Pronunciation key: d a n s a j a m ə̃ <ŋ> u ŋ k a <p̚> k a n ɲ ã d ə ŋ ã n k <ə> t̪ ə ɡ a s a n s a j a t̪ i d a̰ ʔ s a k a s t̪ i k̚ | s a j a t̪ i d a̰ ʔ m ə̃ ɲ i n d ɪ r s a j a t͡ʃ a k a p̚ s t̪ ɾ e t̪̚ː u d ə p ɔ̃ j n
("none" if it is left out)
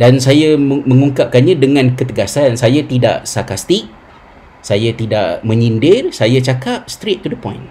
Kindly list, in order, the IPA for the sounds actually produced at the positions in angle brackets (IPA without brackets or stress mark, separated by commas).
ŋ, p̚, ə